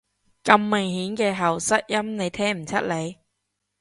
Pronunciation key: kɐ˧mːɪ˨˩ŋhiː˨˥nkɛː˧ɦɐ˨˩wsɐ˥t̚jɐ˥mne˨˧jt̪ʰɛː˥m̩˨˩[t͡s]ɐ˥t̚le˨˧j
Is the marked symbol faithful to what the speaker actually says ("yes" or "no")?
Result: no